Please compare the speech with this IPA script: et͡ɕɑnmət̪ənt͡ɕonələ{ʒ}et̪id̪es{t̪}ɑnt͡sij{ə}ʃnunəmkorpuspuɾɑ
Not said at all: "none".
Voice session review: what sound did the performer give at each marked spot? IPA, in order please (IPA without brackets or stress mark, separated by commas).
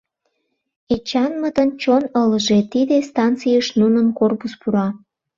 ʒ, t̪, ə